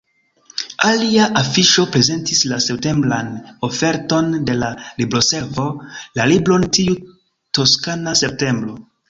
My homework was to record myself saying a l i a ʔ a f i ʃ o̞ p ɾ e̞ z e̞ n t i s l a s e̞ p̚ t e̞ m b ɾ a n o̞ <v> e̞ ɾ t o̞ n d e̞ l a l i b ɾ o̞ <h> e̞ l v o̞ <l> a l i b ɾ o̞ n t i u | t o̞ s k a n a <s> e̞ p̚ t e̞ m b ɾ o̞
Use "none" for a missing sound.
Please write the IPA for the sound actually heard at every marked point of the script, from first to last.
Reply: f, s, l, s

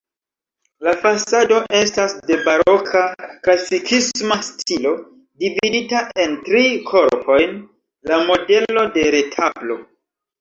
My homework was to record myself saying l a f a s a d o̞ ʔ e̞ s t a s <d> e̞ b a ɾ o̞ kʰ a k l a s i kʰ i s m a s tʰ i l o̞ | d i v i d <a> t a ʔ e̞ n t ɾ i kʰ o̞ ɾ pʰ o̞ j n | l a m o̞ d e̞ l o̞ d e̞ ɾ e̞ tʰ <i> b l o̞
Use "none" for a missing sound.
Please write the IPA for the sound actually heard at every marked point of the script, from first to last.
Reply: d, i, a

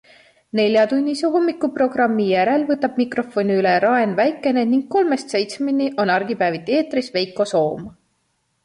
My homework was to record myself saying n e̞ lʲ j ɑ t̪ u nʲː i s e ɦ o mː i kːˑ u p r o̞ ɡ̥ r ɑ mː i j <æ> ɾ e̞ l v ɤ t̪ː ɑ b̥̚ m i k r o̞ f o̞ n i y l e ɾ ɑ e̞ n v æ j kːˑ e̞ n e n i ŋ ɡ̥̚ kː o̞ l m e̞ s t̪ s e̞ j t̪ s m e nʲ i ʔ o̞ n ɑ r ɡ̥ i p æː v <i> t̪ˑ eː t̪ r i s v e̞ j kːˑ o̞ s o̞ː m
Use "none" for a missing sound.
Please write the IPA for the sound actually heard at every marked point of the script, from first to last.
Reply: æ, i

